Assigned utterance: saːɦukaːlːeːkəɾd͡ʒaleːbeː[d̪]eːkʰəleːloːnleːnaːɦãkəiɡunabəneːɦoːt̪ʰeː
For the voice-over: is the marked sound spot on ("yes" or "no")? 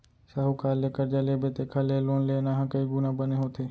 no